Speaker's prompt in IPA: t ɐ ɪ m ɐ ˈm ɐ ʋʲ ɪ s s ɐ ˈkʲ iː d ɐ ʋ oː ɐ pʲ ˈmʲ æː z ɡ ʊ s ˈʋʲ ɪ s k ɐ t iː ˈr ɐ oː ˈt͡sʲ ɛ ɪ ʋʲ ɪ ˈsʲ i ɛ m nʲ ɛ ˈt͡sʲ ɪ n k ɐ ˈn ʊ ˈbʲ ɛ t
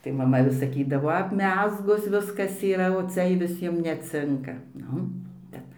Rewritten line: t ɐ ɪ m ɐ ˈm ɐ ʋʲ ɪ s s ɐ ˈkʲ iː d ɐ ʋ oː ɐ pʲ ˈmʲ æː z ɡ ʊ s ˈʋʲ ɪ s k ɐ s iː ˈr ɐ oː ˈt͡sʲ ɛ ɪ ʋʲ ɪ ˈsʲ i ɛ m nʲ ɛ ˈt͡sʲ ɪ ŋ k ɐ ˈn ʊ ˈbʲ ɛ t